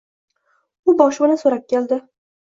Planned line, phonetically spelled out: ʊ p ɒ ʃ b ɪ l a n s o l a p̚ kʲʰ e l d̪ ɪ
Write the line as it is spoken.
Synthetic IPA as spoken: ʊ b ɒ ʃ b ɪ l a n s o ɾ a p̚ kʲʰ e l d̪ ɪ